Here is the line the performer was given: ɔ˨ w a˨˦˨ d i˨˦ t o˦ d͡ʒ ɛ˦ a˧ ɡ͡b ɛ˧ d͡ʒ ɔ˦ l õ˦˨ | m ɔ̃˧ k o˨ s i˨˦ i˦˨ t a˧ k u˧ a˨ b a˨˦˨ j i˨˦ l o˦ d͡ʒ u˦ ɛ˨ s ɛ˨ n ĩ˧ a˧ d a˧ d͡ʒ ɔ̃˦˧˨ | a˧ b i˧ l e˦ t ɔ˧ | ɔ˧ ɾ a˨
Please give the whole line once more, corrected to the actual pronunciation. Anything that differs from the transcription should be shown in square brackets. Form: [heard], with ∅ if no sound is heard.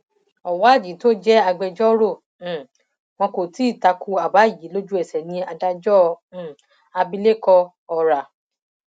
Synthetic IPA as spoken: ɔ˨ w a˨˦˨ [d͡ʒ] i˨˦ t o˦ d͡ʒ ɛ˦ a˧ ɡ͡b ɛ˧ d͡ʒ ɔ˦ [ɾ] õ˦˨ | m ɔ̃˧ k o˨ [t] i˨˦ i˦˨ t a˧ k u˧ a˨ b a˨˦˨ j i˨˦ l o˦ d͡ʒ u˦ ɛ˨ s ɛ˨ n ĩ˧ a˧ d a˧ d͡ʒ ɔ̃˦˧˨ | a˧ b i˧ l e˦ [k] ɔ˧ | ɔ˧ ɾ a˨

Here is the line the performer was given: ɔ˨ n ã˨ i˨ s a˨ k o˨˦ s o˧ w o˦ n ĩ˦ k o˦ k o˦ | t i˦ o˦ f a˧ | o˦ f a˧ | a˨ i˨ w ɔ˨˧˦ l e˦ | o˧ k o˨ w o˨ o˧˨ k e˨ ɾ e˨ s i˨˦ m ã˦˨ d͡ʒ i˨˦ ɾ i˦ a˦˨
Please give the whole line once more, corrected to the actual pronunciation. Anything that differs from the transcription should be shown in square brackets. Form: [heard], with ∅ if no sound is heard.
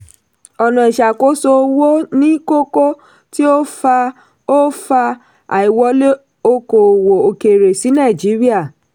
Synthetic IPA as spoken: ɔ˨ n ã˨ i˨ [ʃ] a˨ k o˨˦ s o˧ w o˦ n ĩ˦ k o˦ k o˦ | t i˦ o˦ f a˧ | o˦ f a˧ | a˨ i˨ w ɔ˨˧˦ l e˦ | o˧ k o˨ w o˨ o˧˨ k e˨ ɾ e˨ s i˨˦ [n] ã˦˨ d͡ʒ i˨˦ ɾ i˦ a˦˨

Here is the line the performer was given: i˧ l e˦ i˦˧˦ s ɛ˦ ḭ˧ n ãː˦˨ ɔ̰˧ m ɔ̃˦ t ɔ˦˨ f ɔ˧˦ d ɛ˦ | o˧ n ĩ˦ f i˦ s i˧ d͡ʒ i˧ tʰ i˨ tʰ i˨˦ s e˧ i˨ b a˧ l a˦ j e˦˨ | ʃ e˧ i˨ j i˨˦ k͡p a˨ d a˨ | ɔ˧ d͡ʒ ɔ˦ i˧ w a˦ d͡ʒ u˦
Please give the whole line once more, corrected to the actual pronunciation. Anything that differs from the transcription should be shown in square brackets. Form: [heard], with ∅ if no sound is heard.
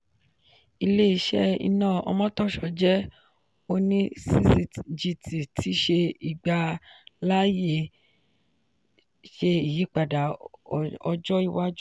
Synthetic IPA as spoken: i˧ l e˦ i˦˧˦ [ʃ] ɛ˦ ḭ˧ n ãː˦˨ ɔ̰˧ m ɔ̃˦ t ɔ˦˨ [ʃ] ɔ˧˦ [d͡ʒ] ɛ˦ | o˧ n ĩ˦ [s] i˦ s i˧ d͡ʒ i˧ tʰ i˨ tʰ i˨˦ [ʃ] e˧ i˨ [ɡ͡b] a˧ l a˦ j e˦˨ | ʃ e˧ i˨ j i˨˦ k͡p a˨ d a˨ | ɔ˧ d͡ʒ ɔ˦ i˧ w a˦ d͡ʒ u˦

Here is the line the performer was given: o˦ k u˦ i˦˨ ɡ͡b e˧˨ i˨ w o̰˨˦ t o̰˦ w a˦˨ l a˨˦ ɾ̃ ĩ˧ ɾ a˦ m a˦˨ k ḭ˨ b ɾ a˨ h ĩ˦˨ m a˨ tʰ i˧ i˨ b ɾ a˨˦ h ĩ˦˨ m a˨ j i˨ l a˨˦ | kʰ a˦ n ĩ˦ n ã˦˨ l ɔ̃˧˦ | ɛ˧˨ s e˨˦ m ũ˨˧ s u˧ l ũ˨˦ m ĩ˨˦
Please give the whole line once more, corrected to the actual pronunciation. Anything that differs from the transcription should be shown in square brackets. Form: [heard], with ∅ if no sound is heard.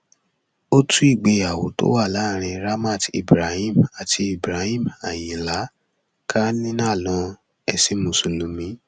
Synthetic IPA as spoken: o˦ [t] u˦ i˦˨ ɡ͡b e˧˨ [a˨] w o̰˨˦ t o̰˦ w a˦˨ l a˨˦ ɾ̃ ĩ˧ ɾ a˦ m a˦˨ [t] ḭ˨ b ɾ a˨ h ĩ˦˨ m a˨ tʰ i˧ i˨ b ɾ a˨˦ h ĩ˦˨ m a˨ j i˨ l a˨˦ | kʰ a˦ n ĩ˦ n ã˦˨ l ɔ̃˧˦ | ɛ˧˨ s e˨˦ m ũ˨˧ s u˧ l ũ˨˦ m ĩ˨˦

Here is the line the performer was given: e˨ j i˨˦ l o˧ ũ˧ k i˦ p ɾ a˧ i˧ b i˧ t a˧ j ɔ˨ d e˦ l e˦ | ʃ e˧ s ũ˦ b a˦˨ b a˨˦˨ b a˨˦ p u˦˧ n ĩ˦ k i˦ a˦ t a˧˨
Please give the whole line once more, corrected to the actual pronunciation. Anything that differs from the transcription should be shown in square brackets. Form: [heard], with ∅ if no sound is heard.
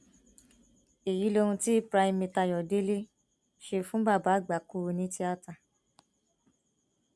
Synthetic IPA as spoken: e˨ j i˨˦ l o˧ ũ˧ [t] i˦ p ɾ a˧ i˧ [m] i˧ t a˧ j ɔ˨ d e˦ l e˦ | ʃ e˧ [f] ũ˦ b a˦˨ b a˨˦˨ [ɡ͡b] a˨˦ [k] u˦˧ n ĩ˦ [t] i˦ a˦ t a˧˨

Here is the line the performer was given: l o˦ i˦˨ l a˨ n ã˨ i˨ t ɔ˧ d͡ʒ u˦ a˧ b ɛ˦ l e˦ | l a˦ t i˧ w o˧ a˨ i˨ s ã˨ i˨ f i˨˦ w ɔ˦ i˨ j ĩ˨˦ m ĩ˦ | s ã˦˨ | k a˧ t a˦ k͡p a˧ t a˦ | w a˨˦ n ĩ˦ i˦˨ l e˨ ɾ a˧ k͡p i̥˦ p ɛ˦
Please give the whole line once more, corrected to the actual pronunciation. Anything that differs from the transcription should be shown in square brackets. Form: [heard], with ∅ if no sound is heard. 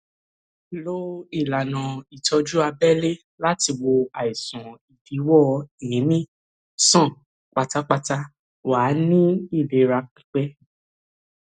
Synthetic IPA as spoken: l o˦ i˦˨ l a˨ n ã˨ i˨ t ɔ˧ d͡ʒ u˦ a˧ b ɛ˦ l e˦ | l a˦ t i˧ w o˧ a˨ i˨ s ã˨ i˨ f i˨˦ w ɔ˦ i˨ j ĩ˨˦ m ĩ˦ | s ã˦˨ | [k͡p] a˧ t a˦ k͡p a˧ t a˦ | w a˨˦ n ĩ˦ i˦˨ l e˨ ɾ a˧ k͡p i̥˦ [k͡p] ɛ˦

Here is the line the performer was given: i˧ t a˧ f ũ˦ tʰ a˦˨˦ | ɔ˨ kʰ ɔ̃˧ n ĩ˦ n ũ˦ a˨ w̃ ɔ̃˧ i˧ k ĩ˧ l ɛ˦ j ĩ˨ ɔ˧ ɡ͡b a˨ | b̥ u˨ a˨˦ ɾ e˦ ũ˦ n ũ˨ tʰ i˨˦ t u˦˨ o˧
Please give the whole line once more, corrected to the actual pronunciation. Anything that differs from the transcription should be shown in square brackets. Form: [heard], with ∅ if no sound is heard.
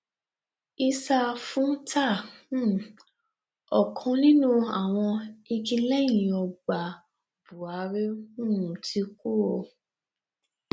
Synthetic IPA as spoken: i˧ [s] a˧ f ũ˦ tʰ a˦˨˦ | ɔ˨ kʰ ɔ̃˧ n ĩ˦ n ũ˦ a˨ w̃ ɔ̃˧ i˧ k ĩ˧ l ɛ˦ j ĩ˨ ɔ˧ ɡ͡b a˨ | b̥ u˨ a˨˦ ɾ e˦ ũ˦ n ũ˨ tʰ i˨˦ [k] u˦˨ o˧

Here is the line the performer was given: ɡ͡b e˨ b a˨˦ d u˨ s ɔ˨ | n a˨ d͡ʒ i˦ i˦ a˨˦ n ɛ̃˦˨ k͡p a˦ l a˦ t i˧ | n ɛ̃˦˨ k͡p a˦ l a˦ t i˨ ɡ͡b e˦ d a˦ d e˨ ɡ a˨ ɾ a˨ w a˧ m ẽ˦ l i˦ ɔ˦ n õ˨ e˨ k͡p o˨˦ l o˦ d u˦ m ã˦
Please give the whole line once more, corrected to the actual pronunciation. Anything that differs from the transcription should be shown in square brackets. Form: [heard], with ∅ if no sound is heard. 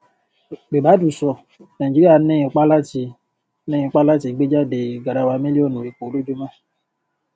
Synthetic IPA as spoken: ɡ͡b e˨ b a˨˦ d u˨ s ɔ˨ | n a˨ d͡ʒ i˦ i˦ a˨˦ n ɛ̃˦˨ k͡p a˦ l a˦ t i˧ | n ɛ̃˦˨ k͡p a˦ l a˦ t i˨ ɡ͡b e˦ [d͡ʒ] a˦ d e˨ ɡ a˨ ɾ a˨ w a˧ m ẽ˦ l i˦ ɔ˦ n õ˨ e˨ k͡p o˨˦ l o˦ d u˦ m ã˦

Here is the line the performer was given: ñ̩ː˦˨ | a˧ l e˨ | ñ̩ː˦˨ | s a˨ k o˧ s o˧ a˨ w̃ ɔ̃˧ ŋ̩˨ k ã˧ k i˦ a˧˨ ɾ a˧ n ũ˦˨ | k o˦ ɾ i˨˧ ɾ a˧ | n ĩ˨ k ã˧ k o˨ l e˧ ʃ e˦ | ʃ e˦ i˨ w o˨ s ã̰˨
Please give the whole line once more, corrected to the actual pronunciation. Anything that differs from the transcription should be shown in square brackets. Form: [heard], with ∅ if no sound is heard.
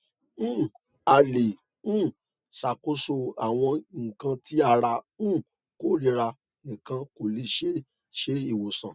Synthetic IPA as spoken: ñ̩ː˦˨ | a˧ l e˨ | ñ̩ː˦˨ | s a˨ k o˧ s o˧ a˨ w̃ ɔ̃˧ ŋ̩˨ k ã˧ [t] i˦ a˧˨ ɾ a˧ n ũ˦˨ | k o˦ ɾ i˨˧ ɾ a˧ | n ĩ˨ k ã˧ k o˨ l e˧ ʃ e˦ | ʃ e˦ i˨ w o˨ s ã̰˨

